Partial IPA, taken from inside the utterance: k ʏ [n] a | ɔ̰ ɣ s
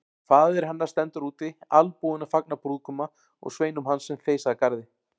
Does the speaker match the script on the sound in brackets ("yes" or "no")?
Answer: no